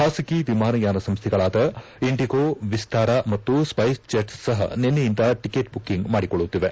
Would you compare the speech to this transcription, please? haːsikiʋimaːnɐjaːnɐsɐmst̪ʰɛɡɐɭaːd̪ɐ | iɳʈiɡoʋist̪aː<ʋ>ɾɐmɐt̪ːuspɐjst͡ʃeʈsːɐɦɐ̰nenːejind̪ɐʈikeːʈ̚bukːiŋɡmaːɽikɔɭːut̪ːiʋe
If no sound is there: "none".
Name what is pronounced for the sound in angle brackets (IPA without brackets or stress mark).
none